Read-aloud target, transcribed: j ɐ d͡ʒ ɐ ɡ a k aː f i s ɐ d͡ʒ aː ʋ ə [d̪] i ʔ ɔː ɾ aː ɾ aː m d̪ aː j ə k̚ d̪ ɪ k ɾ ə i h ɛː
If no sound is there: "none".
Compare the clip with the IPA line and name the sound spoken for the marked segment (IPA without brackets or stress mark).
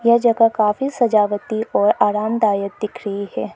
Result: t̪